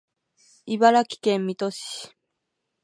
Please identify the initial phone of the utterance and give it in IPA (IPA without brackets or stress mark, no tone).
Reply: i